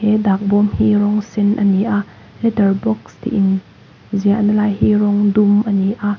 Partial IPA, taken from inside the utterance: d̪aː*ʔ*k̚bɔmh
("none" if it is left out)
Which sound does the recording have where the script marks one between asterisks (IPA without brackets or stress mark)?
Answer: none